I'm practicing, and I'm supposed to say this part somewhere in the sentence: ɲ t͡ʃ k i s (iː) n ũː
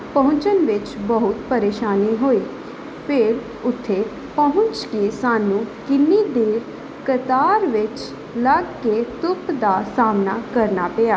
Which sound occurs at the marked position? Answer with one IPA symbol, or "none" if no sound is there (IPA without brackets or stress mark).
aː